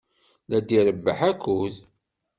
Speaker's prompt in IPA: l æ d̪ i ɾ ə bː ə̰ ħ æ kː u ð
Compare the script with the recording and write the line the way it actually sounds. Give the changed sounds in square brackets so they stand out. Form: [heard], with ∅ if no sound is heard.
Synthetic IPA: l æ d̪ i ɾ ə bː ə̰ ħ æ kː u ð